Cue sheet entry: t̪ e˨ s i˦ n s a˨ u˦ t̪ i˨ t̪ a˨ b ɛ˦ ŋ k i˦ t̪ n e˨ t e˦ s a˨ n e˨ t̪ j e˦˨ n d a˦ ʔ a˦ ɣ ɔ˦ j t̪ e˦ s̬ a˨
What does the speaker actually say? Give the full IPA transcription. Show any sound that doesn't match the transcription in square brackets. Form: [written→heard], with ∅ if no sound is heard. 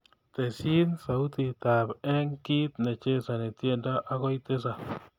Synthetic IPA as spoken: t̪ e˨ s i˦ n s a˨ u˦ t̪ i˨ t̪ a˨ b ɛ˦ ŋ k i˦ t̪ n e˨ [t→t͡ʃ] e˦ s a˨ n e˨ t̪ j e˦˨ n d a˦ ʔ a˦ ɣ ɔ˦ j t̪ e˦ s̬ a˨